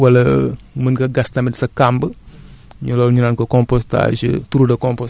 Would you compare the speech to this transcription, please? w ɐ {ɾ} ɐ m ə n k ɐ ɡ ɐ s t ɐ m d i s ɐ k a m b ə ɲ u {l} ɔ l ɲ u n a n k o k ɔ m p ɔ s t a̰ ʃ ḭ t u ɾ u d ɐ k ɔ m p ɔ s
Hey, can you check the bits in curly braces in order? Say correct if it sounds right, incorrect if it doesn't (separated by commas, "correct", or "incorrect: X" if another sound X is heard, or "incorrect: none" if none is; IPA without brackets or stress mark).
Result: incorrect: l, correct